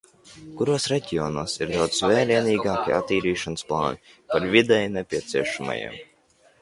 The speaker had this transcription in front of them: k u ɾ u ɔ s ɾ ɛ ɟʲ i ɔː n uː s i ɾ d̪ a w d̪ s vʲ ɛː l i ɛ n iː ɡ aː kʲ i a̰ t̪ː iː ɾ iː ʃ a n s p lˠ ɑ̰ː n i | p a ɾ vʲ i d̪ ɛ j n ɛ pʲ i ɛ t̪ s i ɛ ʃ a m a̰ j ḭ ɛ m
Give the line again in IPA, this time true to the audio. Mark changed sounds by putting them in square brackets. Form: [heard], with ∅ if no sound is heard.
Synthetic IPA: k u ɾ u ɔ s ɾ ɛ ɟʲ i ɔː n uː s i ɾ d̪ a w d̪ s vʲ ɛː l i ɛ n iː ɡ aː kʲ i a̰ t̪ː iː ɾ iː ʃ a n s p lˠ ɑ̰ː n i | p a ɾ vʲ i d̪ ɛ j n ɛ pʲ i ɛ t̪ s i ɛ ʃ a m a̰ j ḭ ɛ m